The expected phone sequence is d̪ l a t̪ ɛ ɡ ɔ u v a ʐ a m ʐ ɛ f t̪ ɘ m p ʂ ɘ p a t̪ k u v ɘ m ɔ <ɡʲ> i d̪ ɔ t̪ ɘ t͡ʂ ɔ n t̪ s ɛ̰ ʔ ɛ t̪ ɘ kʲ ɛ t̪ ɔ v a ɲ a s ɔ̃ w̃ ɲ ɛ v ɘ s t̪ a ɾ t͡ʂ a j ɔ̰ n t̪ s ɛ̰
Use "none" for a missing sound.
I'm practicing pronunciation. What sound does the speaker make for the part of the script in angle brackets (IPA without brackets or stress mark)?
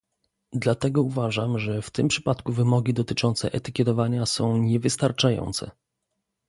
ɡʲ